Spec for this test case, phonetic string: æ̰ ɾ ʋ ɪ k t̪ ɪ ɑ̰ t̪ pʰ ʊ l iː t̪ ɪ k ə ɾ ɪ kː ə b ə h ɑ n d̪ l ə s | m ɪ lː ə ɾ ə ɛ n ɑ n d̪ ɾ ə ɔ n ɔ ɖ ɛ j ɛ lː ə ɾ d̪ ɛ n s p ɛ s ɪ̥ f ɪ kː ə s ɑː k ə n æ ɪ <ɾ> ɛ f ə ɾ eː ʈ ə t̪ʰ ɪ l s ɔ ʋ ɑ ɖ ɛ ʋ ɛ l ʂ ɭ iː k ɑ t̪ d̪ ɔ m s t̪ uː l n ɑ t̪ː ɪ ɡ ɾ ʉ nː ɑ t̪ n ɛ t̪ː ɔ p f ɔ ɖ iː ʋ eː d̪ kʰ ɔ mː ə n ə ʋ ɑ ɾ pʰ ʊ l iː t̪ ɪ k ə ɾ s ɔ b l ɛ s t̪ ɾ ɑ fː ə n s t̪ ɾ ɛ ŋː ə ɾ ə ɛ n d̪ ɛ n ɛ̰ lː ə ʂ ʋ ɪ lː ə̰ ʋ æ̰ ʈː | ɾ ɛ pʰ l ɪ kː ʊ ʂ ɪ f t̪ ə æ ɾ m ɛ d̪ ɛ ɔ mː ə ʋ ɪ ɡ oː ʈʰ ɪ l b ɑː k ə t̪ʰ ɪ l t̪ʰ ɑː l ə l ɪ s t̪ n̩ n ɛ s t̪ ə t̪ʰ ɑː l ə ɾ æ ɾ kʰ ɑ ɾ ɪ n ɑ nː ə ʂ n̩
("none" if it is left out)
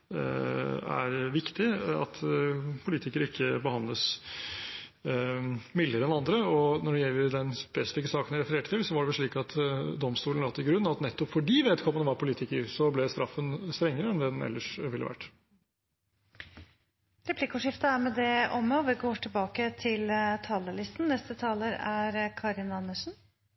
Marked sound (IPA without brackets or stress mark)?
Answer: ɾ